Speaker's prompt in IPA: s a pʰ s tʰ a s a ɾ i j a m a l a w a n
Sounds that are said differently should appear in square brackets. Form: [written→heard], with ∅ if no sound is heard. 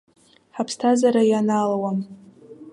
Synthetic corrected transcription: [s→ħ] a pʰ s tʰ a [s→z] a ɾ [i→a] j a [m→n] a l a w a [n→m]